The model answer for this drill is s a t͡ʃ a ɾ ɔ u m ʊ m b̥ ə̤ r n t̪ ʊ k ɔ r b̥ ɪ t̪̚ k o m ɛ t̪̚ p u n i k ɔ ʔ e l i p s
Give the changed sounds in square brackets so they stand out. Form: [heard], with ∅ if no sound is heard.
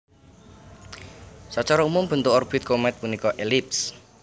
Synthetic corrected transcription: s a t͡ʃ a ɾ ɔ u m ʊ m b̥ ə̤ [∅] n t̪ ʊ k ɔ r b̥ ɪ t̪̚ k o m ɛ t̪̚ p u n i k ɔ ʔ e l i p s